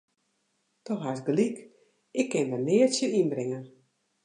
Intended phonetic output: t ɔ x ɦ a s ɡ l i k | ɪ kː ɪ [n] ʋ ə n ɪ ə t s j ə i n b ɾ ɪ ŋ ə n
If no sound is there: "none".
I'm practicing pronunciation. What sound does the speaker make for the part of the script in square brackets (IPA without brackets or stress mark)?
n